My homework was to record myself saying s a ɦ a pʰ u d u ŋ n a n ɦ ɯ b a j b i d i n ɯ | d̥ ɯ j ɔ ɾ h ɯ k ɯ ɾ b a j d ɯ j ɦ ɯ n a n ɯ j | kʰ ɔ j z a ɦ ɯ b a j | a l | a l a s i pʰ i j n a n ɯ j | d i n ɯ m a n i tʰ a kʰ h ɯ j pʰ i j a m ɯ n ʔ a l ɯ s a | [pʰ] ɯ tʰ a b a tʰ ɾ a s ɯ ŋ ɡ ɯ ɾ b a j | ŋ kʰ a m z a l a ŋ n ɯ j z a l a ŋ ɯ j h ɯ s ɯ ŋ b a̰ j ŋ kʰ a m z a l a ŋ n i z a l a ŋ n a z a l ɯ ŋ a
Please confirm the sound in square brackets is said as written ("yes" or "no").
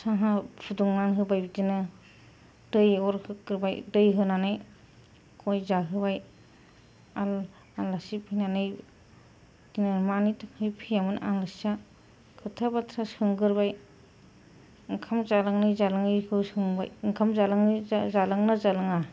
no